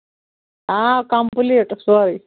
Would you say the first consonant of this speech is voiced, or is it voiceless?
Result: voiceless